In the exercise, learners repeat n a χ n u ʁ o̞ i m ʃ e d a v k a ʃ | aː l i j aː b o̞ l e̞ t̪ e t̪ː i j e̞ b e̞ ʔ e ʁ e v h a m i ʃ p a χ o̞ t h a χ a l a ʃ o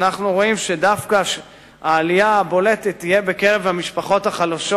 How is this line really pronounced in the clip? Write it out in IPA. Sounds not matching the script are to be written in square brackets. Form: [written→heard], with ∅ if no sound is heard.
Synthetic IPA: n a χ n u ʁ o̞ i m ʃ e d a [v→f] k a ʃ | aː l i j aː b o̞ l e̞ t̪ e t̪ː i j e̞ b e̞ [ʔ→k] e ʁ e v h a m i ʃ p a χ o̞ t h a χ a l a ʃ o